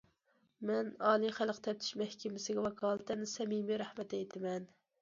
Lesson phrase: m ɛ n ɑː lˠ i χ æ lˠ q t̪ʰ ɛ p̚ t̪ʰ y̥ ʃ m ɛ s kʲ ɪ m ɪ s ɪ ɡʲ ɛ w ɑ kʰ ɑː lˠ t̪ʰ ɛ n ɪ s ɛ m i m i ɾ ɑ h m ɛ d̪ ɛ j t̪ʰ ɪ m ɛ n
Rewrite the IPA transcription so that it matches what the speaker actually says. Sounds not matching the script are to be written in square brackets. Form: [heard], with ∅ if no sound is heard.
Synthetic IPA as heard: m ɛ n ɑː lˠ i χ æ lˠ q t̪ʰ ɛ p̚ t̪ʰ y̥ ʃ m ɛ [h] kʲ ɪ m ɪ s ɪ ɡʲ ɛ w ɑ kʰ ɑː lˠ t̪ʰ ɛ n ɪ s ɛ m i m i ɾ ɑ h m ɛ [t̪] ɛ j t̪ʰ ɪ m ɛ n